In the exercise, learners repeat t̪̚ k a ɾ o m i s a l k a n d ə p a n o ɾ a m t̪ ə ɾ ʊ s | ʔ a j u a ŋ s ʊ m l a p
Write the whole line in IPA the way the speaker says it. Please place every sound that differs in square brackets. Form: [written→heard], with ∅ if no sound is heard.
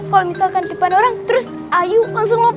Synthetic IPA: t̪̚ k a [ɾ→l] o m i s a l k a n d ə p a n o ɾ a [m→ŋ] t̪ ə ɾ ʊ s | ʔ a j u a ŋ s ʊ [m→ŋ] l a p